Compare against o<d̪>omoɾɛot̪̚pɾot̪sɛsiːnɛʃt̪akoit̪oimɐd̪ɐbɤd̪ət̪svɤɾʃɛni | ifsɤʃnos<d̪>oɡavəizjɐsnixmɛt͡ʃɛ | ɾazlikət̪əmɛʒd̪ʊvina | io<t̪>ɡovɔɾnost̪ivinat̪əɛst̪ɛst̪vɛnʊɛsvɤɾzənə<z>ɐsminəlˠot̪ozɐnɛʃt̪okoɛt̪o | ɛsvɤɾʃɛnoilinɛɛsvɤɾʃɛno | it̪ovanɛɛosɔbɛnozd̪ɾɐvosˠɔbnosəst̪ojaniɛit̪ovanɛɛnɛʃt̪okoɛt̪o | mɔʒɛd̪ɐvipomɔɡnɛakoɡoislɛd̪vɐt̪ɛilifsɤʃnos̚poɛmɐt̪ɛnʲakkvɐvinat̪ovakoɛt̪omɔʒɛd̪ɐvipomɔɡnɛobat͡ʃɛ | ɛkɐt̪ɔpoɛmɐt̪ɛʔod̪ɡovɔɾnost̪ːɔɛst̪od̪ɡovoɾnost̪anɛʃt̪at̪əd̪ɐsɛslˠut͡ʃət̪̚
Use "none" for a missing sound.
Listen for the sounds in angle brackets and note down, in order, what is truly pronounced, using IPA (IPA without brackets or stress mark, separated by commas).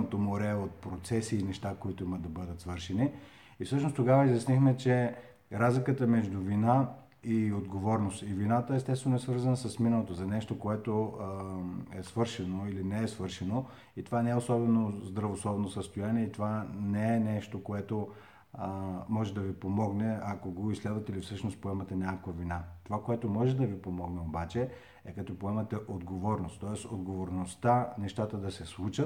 t̪, t̪, d̪, s